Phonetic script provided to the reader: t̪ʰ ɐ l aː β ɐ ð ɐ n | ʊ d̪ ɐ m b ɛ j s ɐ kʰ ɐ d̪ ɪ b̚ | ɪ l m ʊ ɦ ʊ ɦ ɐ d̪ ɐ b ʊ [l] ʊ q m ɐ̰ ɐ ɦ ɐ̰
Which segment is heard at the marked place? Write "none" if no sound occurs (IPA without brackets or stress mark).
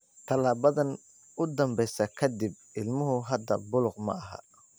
l